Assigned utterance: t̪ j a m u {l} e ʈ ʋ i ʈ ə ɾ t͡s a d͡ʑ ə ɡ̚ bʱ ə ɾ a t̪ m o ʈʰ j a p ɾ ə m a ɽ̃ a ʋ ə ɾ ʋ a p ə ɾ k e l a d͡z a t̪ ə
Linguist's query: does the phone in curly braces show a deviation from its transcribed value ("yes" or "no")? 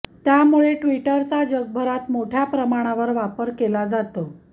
yes